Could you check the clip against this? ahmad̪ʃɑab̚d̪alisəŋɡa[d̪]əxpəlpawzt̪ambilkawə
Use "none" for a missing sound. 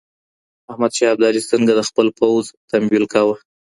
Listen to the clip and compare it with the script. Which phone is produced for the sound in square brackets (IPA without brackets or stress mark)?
d̪